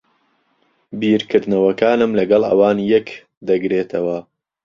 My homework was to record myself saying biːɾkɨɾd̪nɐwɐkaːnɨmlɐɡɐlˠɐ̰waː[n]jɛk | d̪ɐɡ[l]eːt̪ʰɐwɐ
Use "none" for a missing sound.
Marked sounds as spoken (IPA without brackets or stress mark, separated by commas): n, ɾ